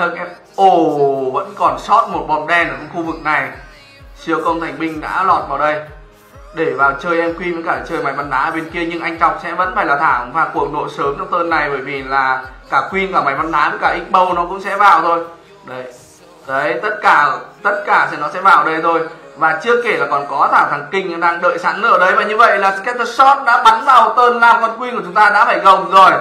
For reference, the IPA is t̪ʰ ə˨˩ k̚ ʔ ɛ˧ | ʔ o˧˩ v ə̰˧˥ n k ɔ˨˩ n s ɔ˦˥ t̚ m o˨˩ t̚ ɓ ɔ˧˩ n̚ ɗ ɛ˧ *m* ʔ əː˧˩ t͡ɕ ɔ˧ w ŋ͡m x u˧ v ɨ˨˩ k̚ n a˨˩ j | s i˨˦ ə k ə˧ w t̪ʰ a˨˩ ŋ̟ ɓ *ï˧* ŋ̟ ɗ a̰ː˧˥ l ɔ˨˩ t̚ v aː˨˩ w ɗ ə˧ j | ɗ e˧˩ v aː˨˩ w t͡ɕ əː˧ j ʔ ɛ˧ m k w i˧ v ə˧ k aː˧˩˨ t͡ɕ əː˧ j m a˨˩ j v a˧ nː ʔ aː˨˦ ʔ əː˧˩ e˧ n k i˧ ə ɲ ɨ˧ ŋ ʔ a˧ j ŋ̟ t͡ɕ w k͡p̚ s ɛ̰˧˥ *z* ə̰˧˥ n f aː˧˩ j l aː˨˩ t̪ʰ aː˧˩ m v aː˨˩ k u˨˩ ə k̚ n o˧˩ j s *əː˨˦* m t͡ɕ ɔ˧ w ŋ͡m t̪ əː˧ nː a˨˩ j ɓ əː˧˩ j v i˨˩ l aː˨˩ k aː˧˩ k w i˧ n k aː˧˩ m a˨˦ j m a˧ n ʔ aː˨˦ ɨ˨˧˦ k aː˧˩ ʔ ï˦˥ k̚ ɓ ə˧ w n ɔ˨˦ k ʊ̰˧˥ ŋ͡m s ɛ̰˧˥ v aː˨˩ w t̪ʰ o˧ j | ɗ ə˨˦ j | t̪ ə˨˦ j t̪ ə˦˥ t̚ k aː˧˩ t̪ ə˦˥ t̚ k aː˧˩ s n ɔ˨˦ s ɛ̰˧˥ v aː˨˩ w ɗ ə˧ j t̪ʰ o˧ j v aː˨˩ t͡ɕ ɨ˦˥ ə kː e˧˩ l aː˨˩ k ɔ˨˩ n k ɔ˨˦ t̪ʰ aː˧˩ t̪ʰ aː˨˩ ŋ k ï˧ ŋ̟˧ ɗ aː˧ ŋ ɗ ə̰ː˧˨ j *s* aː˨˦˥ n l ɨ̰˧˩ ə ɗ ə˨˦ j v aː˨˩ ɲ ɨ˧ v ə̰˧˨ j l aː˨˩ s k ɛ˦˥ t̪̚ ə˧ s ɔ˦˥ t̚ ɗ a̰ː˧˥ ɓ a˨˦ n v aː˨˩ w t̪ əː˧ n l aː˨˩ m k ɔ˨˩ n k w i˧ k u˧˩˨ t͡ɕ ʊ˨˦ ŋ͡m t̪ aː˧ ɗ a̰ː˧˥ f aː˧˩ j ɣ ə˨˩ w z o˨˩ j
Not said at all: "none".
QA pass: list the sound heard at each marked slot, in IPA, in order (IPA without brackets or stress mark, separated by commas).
n, ï˧, v, əː˨˦, s